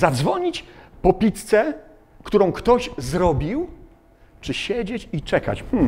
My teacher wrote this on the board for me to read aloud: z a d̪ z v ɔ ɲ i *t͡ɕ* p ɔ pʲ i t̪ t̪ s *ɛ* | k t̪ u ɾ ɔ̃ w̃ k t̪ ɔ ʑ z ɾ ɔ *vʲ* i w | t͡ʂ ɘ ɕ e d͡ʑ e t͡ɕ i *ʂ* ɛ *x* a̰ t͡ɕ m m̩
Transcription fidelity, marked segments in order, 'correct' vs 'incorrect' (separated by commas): correct, correct, incorrect, incorrect, incorrect